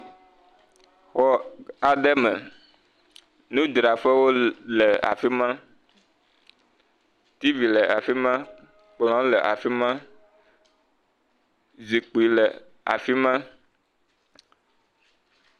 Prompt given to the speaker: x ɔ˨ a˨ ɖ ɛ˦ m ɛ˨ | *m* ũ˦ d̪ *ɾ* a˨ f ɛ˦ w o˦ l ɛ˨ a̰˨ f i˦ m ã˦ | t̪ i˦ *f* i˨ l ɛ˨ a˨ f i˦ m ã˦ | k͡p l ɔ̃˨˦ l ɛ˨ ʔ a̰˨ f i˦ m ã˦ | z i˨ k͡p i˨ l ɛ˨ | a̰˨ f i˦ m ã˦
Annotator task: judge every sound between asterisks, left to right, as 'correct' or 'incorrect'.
incorrect: n, correct, incorrect: v

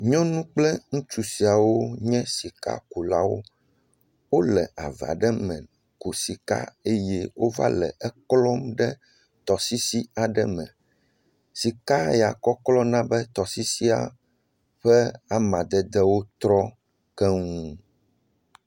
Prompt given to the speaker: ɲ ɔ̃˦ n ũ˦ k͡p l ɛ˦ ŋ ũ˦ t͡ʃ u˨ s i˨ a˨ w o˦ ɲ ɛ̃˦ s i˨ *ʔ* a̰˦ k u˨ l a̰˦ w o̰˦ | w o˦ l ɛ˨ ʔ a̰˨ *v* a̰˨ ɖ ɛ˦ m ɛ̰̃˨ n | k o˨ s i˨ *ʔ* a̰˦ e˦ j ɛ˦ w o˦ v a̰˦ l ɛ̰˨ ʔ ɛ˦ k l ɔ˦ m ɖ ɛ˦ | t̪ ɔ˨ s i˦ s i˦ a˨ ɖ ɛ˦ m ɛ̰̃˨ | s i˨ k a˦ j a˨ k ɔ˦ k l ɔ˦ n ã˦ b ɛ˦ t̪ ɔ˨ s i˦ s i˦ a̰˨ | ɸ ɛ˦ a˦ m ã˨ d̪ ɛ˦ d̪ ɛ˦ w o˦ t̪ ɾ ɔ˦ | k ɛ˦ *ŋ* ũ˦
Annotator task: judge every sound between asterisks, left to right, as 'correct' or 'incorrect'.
incorrect: k, correct, incorrect: k, correct

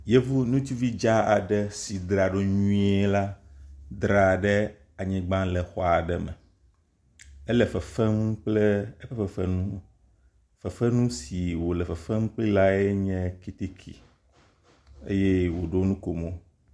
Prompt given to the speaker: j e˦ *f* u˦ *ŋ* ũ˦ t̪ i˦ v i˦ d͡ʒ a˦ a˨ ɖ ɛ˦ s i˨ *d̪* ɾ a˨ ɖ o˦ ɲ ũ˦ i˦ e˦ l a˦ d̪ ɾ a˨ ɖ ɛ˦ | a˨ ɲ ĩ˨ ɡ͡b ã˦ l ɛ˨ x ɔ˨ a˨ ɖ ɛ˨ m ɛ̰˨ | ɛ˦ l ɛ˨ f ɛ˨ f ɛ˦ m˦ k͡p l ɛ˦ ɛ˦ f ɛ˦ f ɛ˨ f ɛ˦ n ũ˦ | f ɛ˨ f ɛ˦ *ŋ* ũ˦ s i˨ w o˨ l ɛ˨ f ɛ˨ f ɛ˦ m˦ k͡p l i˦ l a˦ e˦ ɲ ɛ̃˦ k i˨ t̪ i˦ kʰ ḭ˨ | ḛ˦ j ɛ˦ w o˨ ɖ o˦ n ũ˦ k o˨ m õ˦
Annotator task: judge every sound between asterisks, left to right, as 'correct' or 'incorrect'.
incorrect: v, incorrect: n, correct, incorrect: n

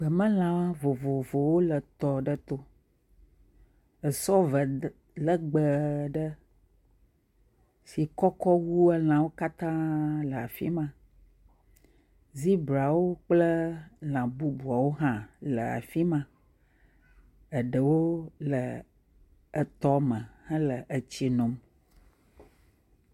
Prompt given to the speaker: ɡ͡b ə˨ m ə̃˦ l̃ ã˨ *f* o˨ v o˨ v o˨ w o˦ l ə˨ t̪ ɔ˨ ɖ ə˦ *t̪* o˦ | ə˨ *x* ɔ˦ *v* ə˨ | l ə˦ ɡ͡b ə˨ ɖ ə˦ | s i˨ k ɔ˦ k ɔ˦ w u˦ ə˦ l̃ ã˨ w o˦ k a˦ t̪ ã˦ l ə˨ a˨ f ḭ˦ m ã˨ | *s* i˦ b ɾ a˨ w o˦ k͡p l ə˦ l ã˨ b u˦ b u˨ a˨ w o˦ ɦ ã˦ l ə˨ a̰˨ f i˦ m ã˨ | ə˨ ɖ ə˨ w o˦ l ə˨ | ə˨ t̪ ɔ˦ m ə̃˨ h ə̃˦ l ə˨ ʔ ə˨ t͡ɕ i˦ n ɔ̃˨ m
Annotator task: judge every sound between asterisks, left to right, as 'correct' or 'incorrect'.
incorrect: v, correct, incorrect: s, correct, incorrect: z

